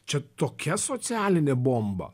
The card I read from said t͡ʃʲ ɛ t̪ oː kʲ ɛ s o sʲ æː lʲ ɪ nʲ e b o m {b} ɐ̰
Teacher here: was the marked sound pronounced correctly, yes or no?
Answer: yes